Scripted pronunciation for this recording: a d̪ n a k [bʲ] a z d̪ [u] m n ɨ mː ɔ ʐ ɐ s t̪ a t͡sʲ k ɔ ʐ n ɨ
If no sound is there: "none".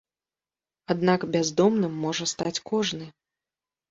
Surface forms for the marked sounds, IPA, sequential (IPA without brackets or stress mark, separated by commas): bʲ, ɔ